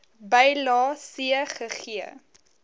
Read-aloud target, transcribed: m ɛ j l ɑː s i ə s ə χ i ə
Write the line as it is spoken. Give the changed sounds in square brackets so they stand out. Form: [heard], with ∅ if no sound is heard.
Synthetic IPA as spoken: [b] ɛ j l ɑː s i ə [χ] ə χ i ə